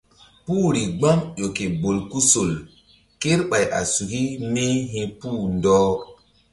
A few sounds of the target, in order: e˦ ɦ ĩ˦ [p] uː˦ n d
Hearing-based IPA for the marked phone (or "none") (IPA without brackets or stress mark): p